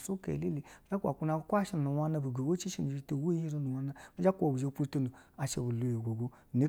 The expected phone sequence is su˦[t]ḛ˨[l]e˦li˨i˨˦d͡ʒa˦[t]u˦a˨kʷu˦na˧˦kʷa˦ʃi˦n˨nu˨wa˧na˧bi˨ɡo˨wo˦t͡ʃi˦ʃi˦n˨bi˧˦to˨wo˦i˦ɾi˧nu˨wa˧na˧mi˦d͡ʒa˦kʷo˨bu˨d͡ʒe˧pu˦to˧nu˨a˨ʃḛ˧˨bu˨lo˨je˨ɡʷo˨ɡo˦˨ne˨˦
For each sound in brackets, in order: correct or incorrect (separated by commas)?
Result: incorrect, correct, incorrect